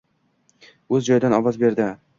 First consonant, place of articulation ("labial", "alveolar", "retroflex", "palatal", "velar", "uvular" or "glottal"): alveolar